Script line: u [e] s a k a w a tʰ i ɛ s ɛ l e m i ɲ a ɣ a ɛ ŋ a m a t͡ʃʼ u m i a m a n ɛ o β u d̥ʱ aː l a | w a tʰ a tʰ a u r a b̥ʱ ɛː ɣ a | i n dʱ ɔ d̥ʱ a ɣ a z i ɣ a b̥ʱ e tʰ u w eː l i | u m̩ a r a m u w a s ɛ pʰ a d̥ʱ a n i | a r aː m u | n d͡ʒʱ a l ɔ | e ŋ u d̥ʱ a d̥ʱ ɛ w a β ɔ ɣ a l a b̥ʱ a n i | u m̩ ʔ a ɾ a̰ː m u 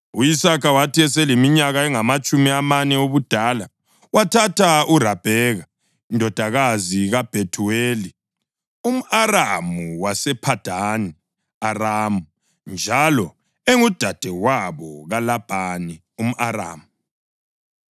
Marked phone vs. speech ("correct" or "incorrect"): incorrect